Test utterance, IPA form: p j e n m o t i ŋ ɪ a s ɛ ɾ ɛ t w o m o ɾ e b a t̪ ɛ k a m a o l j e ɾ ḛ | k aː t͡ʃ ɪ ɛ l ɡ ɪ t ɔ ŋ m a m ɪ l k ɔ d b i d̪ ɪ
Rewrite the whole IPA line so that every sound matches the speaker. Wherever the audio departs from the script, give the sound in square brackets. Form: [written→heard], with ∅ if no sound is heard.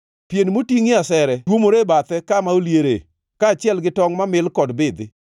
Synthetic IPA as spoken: p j e n m o t i ŋ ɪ a s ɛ ɾ ɛ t w o m o ɾ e b a t̪ ɛ k a m a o l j e ɾ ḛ | k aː t͡ʃ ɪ ɛ l ɡ ɪ t ɔ ŋ m a m ɪ l k ɔ d b [i→ɪ] d̪ ɪ